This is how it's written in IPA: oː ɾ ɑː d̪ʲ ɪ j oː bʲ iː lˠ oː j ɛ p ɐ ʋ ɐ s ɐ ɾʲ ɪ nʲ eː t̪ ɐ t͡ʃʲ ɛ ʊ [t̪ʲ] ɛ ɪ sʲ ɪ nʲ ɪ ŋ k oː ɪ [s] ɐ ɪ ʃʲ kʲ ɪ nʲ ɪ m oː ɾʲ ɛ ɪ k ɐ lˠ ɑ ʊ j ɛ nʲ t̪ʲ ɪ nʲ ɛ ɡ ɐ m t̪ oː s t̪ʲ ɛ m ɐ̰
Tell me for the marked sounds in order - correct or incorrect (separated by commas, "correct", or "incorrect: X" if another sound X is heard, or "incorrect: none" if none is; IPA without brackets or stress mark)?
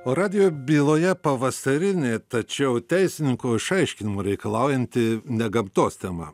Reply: correct, incorrect: ʃ